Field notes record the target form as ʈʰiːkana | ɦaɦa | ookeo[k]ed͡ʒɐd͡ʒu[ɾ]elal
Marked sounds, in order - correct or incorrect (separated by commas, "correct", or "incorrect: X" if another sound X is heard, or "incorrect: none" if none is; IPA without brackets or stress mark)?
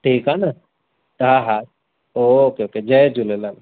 correct, incorrect: l